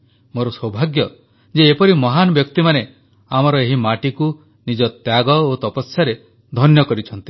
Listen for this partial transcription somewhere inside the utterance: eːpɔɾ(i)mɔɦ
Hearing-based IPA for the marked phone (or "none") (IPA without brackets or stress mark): i